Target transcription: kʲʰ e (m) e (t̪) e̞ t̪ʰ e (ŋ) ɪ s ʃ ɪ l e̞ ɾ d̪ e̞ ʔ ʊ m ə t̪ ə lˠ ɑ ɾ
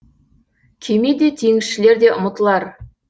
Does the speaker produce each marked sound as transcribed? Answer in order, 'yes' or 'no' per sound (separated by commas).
yes, no, yes